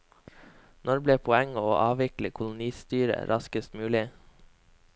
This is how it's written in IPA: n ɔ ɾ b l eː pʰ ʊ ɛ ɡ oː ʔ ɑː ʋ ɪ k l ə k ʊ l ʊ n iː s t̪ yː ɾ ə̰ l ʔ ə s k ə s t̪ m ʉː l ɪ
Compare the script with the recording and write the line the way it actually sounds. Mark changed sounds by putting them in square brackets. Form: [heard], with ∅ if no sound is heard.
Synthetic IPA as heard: n ɔ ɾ b l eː pʰ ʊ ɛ [ŋ] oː ʔ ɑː ʋ ɪ k l ə [kʰ] ʊ l ʊ n iː s t̪ yː ɾ ə̰ [ɾ] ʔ [ɑ] s k ə s t̪ m ʉː l ɪ